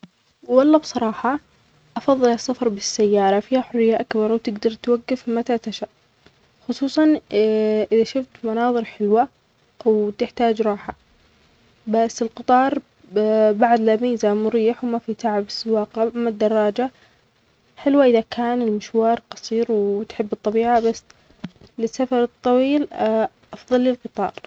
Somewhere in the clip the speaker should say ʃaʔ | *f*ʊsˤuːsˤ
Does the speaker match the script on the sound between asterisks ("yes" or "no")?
no